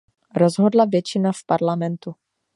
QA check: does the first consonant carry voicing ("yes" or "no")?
yes